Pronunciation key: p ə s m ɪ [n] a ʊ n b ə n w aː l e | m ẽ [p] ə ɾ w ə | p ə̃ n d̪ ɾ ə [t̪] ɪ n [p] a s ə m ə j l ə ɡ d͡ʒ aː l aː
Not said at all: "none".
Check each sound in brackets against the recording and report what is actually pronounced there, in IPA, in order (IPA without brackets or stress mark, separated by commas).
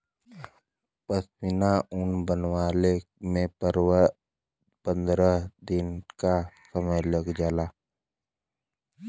n, p, d̪, k